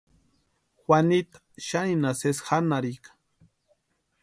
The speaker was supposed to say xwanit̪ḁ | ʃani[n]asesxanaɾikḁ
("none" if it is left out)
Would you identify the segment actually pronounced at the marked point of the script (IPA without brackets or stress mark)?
n